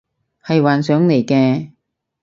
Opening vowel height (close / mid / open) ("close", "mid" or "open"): open